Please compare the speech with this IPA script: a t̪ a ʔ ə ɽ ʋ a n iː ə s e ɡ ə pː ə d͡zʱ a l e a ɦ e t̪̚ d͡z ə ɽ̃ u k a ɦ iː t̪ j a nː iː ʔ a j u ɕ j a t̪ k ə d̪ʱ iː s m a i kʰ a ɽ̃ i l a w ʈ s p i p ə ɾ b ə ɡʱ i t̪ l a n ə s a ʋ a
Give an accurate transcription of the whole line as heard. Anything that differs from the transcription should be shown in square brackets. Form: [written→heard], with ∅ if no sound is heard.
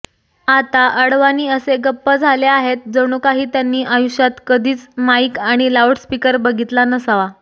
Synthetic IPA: a t̪ a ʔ ə ɽ ʋ a n iː ə s e ɡ ə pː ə d͡zʱ a l e a ɦ e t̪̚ d͡z ə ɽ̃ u k a ɦ iː t̪ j a nː iː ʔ a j u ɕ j a t̪ k ə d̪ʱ iː [s→t͡s] m a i [kʰ→k] a ɽ̃ i l a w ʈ s p i [p→k] ə ɾ b ə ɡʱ i t̪ l a n ə s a ʋ a